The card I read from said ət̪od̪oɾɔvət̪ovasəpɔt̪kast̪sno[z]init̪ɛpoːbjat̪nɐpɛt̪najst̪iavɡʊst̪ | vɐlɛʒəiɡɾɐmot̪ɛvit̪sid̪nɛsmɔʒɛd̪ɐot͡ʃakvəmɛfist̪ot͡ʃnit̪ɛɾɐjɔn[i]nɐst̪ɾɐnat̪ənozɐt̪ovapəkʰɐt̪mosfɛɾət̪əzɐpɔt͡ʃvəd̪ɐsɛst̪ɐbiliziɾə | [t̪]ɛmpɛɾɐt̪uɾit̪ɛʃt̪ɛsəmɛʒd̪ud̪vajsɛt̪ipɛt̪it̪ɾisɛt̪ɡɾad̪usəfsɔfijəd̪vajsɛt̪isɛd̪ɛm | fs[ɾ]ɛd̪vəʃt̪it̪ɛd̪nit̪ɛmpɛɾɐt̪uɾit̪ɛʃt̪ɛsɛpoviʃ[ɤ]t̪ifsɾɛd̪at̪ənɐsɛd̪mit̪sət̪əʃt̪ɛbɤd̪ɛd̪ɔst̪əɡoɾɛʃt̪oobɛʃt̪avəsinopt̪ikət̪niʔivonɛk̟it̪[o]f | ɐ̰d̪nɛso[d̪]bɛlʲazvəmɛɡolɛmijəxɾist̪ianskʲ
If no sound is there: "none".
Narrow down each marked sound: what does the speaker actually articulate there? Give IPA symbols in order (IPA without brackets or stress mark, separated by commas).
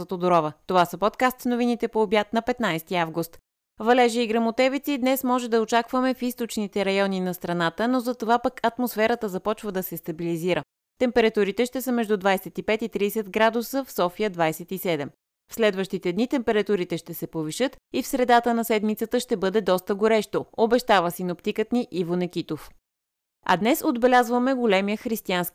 v, i, t̪, l, ɤ, o, d̪